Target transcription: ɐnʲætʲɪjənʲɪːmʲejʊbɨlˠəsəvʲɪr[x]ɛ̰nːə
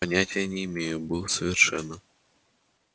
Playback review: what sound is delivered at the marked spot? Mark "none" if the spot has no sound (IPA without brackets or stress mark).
ʂ